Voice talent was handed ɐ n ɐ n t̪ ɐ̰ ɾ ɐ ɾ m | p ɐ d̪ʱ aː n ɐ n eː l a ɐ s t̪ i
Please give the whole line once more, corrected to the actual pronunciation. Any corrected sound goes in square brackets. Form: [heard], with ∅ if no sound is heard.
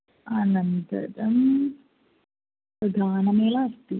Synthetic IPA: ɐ n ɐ n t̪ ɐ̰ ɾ ɐ [∅] m | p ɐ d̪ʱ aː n ɐ [m] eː l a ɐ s t̪ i